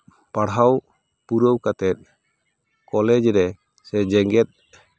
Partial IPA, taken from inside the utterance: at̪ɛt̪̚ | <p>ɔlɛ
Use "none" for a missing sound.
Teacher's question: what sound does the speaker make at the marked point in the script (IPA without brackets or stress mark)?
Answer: k